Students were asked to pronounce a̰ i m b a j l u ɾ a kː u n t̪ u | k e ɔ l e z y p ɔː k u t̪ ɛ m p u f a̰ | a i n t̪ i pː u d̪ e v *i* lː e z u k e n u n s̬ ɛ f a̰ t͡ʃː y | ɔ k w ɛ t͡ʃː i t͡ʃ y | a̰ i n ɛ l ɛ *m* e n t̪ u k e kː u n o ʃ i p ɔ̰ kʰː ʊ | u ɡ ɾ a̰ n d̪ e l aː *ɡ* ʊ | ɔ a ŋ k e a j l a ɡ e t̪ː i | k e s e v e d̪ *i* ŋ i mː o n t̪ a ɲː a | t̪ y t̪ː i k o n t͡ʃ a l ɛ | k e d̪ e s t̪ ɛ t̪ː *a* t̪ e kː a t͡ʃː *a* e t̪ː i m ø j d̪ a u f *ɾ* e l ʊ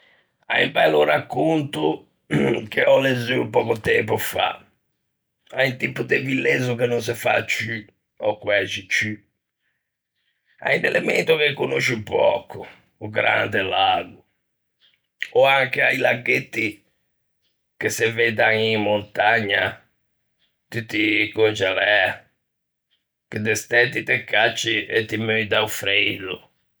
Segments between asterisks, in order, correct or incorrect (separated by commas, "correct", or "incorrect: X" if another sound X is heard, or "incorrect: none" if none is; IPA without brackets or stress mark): correct, correct, correct, incorrect: a, incorrect: i, incorrect: i, correct